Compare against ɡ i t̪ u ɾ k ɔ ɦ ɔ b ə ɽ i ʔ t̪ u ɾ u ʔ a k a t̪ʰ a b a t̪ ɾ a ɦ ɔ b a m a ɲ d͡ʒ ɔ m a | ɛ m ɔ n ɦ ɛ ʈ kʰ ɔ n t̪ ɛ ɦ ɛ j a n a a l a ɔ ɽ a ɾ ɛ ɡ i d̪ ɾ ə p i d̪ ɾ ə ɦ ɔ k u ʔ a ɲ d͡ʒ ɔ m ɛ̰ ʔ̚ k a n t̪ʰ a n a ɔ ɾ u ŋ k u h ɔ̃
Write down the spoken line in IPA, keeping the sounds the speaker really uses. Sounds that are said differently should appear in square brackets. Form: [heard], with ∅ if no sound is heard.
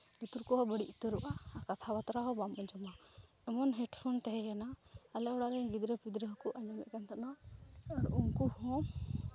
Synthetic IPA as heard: ɡ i t̪ u ɾ k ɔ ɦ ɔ b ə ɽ i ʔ t̪ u ɾ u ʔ a k a t̪ʰ a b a t̪ ɾ a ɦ ɔ b a m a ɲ d͡ʒ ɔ m a | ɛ m ɔ n ɦ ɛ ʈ [pʰ] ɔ n t̪ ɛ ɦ ɛ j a n a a l [ɛ] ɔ ɽ a ɾ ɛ ɡ i d̪ ɾ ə p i d̪ ɾ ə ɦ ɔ k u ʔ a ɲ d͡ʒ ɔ m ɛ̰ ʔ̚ k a n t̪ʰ a n a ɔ ɾ u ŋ k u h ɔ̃